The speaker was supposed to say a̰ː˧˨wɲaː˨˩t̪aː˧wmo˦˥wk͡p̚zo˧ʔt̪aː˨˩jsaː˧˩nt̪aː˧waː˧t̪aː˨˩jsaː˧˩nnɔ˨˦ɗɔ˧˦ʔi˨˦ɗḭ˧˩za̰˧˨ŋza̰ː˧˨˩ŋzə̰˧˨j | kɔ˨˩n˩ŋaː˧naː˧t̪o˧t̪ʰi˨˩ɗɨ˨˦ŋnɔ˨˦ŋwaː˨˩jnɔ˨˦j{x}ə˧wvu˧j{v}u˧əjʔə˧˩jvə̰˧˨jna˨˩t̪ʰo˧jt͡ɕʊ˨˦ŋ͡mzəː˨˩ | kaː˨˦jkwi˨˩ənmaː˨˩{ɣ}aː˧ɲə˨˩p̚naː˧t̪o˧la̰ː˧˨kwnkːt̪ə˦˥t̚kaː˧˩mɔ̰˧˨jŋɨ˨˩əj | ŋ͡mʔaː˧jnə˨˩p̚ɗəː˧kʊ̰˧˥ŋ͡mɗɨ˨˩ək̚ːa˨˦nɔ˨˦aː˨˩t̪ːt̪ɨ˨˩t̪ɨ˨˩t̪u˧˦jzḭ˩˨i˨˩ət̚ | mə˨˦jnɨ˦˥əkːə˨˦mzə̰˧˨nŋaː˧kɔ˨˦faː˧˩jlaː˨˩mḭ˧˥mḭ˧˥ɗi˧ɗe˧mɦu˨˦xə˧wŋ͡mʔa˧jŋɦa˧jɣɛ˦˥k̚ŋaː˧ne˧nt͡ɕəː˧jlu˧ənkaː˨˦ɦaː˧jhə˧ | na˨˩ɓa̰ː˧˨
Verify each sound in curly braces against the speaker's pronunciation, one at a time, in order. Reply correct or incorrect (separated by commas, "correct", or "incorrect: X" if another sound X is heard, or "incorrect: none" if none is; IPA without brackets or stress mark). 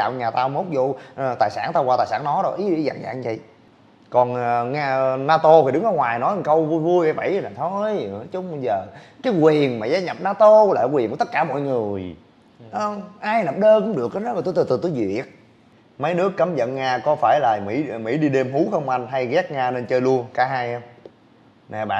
incorrect: k, correct, incorrect: z